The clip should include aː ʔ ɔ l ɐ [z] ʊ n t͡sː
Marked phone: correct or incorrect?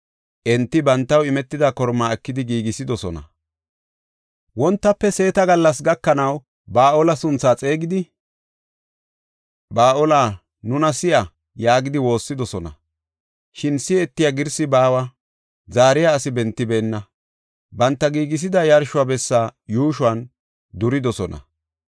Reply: incorrect